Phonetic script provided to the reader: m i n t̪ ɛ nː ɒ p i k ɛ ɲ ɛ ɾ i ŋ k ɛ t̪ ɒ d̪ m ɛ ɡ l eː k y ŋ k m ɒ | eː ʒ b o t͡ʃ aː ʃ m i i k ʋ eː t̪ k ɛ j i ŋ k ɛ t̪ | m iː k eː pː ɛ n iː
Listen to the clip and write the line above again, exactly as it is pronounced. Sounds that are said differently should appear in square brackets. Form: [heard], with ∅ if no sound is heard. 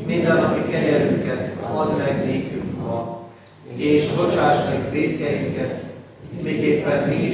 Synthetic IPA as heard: m i n [d̪] ɛ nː ɒ p i k ɛ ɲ ɛ ɾ [y] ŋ k ɛ t̪ ɒ d̪ m ɛ ɡ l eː k y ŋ k m ɒ | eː [ʃ] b o t͡ʃ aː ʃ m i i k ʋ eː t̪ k ɛ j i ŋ k ɛ t̪ | m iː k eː pː ɛ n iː